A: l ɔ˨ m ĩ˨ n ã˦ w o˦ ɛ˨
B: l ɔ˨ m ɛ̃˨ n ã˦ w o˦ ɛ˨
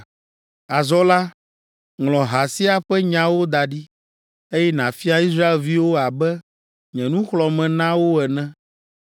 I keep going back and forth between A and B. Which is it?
B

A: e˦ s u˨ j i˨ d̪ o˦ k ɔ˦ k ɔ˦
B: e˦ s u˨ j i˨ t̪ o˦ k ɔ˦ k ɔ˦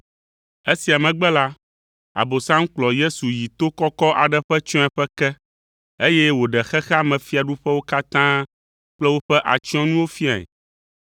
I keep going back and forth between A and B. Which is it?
B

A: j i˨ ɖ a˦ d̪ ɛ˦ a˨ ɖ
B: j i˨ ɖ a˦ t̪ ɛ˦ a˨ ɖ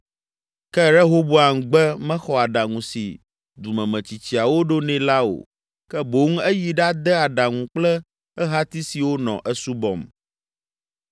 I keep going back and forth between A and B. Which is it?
A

